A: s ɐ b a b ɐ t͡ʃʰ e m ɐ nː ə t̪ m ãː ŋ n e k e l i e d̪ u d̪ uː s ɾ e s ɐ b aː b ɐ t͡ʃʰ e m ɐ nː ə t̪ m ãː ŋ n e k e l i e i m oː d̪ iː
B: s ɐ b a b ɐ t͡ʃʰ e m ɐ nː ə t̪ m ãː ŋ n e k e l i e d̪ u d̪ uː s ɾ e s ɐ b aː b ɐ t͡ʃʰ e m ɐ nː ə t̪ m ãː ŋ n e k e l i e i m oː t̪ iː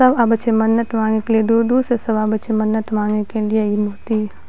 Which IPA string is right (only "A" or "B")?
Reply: B